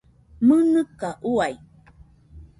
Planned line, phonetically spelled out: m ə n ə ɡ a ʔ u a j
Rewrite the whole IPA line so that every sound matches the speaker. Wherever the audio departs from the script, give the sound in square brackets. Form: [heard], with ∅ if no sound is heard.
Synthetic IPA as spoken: m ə n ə [k] a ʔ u a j